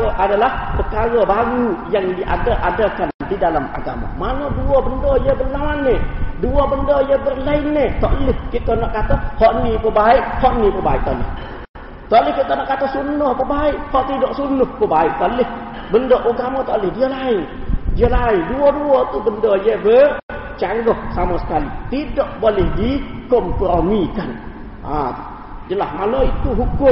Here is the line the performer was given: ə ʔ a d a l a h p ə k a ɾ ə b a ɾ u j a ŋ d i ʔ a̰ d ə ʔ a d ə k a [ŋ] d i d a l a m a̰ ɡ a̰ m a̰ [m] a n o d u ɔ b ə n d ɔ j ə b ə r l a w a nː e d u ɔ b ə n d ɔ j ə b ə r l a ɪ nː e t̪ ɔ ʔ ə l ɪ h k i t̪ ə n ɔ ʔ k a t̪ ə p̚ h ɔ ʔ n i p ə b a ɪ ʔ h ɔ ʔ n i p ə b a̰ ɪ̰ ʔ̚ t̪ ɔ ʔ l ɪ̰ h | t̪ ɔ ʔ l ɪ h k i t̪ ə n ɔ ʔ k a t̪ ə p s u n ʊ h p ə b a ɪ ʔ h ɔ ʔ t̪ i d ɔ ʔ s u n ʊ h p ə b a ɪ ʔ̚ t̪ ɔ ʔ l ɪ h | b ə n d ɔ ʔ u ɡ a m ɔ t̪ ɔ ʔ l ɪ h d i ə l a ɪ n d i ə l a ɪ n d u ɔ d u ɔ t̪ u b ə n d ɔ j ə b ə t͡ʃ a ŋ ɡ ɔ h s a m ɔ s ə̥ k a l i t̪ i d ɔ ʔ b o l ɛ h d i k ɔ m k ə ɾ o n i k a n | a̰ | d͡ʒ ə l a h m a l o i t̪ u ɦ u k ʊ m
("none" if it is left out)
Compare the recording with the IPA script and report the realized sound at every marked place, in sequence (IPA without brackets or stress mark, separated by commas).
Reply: n, m